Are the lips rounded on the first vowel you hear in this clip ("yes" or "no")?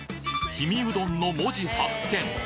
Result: no